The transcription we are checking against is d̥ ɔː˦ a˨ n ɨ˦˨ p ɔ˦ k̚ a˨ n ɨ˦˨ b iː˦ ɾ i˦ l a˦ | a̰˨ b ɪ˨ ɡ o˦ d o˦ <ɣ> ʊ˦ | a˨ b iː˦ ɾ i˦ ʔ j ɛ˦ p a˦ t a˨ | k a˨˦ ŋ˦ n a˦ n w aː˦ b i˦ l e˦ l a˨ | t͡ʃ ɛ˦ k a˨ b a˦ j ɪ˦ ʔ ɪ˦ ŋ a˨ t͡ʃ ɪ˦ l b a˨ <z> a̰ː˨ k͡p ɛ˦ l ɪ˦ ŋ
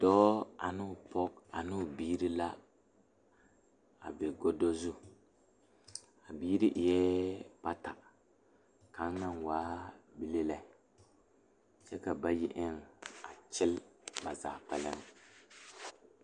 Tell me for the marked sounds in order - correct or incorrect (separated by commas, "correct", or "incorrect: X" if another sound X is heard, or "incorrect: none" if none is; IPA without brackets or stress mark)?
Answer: incorrect: z, correct